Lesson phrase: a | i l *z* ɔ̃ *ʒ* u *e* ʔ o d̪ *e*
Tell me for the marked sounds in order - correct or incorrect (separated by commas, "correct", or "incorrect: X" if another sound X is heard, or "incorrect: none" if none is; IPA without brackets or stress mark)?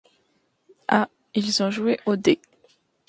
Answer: correct, correct, correct, correct